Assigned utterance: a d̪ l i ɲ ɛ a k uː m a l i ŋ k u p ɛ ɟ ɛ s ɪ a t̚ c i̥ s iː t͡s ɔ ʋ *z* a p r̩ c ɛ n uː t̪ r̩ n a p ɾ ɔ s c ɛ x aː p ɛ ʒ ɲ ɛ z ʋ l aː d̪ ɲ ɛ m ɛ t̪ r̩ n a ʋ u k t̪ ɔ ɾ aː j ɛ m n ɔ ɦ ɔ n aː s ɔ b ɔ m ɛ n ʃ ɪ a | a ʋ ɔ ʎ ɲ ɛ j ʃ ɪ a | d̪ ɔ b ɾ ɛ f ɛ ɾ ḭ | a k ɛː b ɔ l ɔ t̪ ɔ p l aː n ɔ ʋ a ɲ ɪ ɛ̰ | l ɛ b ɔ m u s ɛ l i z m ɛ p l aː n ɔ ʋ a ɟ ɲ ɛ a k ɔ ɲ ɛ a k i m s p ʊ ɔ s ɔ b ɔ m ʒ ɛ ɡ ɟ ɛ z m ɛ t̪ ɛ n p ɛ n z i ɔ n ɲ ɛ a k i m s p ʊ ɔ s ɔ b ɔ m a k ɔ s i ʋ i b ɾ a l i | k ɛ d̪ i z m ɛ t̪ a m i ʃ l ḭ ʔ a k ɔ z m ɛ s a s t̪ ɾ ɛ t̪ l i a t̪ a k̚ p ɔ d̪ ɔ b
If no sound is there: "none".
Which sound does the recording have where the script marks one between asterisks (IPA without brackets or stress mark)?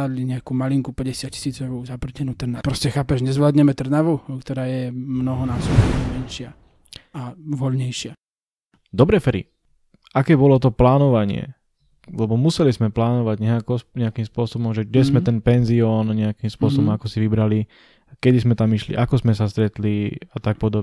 z